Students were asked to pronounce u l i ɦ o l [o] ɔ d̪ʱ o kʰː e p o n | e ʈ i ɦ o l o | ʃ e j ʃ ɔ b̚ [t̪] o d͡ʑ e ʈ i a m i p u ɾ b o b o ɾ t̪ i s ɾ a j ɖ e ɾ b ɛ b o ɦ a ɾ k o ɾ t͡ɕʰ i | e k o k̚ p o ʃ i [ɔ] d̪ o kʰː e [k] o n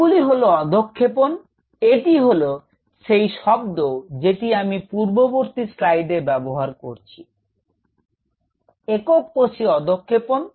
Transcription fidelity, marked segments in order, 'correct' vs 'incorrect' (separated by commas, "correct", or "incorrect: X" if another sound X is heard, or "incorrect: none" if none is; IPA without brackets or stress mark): correct, incorrect: d̪, correct, incorrect: p